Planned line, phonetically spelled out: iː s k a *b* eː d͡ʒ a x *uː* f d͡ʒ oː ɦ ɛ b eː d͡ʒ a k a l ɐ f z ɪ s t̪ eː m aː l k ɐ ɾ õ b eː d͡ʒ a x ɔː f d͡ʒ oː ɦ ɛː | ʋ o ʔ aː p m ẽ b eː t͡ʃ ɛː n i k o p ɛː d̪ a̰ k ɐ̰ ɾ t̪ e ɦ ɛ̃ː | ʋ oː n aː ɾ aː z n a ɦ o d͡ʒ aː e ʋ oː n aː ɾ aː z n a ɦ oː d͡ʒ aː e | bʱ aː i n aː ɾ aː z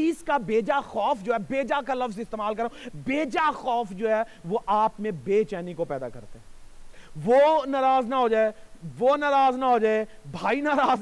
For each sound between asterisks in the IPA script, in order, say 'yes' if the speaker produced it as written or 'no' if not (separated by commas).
yes, no